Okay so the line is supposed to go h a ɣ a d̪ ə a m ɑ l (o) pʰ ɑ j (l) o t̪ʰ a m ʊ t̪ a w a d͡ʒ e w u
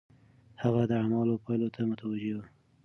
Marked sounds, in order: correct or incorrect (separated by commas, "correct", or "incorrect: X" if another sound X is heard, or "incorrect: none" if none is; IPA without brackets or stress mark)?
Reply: correct, correct